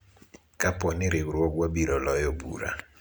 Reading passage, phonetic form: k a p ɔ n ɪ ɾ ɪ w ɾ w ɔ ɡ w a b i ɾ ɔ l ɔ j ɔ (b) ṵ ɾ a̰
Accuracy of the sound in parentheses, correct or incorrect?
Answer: correct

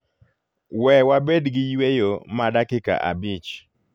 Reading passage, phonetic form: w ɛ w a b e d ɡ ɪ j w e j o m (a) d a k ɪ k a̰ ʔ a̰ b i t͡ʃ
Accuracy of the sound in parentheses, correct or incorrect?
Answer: correct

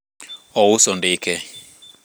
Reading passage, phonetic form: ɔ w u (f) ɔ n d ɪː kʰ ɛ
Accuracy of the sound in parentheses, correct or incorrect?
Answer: incorrect: s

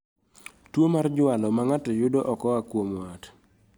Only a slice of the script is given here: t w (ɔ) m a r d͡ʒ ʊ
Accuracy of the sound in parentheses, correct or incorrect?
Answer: incorrect: o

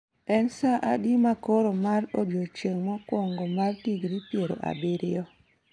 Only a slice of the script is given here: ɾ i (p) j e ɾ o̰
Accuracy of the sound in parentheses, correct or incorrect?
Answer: correct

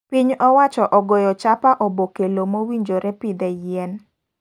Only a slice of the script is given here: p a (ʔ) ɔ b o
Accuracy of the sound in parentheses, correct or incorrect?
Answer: correct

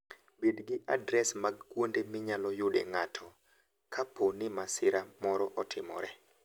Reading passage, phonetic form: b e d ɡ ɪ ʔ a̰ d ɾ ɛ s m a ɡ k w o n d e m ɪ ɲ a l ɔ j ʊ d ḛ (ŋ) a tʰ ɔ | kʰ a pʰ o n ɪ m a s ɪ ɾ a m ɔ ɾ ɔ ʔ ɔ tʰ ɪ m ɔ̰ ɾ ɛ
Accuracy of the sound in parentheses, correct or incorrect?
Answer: correct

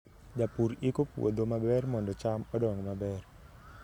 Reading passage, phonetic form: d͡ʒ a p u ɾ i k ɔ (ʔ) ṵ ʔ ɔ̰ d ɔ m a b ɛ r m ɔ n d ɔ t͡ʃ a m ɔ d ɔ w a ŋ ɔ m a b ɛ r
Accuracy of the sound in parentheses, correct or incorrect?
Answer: incorrect: p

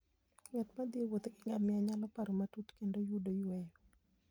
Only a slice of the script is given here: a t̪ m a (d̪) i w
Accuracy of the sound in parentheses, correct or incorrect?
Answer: correct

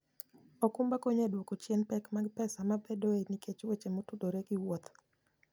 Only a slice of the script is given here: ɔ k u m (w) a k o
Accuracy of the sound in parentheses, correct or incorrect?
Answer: incorrect: b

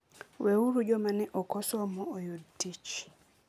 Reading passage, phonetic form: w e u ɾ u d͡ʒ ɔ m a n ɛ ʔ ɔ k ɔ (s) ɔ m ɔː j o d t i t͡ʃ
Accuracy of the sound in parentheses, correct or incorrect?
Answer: correct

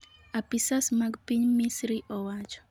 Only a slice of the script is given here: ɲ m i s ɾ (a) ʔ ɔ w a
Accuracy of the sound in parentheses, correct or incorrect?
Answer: incorrect: i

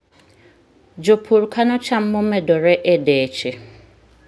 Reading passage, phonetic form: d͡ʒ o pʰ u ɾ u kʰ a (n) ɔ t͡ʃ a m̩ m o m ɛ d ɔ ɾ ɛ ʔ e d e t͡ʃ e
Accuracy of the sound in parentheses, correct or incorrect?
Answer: correct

